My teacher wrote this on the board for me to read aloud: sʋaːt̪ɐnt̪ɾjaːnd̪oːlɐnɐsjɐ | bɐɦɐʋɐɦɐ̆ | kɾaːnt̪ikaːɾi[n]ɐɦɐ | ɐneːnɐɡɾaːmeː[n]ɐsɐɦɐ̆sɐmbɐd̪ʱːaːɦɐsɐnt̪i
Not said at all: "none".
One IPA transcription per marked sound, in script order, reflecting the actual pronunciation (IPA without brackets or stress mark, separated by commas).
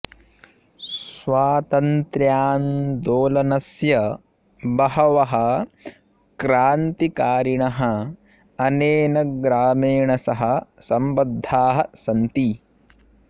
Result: ɳ, ɳ